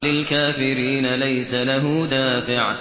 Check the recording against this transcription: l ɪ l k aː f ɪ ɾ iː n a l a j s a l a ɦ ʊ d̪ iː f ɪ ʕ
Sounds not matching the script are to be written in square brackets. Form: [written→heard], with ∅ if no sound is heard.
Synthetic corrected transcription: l ɪ l k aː f ɪ ɾ iː n a l a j s a l a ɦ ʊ d̪ [iː→aː] f ɪ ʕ